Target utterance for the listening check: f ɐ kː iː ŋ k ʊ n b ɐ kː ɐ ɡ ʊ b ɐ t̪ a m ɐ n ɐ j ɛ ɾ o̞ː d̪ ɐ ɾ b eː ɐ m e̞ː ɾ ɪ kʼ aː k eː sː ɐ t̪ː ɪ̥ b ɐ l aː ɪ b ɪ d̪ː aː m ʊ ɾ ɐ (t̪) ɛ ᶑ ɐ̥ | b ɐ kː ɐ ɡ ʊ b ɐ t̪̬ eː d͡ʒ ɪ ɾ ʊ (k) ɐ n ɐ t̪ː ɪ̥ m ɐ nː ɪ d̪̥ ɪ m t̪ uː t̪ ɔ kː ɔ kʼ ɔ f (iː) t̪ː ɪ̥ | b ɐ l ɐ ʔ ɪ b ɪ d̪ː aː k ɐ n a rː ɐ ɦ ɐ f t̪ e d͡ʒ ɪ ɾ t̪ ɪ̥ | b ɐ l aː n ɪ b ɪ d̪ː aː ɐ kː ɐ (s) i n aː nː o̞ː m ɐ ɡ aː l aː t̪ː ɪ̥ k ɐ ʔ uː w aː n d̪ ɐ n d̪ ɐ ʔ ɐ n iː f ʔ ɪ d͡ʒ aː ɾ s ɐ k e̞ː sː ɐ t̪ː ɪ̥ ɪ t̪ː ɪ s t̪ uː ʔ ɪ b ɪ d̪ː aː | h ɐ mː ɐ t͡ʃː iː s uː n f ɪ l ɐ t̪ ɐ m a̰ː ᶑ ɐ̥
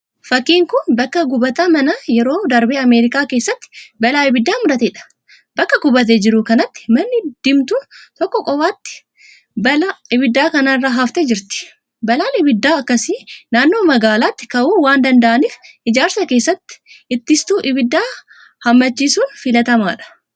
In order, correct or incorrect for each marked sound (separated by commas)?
correct, correct, incorrect, correct